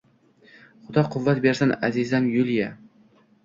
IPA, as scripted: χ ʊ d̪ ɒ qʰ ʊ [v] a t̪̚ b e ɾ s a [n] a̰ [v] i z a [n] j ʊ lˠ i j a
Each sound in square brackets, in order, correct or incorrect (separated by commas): incorrect, correct, incorrect, correct